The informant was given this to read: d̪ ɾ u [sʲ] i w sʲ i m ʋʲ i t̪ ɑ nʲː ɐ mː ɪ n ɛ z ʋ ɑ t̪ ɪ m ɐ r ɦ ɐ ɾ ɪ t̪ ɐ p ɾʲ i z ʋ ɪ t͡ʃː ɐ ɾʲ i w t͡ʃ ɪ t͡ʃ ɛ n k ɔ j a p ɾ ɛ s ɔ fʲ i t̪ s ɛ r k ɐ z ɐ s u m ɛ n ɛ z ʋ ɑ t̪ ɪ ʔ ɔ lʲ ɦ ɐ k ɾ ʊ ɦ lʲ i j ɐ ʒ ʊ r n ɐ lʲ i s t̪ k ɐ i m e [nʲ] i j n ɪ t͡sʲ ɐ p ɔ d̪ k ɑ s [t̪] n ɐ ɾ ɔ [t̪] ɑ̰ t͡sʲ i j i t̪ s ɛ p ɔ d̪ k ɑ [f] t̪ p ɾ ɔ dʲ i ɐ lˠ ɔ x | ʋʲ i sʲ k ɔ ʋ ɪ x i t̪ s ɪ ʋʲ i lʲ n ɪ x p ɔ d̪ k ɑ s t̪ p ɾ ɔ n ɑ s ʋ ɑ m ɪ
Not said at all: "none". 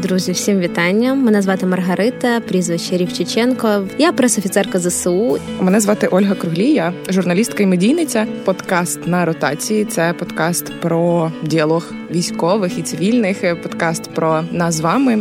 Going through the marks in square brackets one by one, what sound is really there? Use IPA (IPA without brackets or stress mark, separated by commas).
zʲ, dʲ, t̪, t̪, s